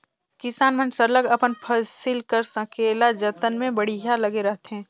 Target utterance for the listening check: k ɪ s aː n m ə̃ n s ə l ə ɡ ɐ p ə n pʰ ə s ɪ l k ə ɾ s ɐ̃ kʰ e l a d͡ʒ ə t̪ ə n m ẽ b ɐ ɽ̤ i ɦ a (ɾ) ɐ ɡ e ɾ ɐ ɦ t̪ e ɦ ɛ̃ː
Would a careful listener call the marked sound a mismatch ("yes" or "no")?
yes